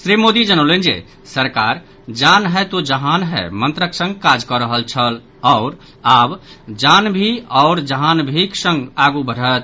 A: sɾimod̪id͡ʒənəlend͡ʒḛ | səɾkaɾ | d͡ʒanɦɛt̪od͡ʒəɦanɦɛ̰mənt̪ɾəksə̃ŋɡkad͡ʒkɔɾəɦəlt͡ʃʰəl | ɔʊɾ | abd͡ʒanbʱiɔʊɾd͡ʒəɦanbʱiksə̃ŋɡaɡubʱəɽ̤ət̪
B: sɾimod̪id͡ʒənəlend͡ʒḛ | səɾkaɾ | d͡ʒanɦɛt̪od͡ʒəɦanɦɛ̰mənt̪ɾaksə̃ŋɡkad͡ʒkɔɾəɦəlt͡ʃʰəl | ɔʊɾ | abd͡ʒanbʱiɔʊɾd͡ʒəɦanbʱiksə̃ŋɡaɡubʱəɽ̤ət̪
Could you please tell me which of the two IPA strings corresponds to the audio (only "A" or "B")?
A